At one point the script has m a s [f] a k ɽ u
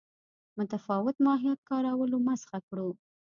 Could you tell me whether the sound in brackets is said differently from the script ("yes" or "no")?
yes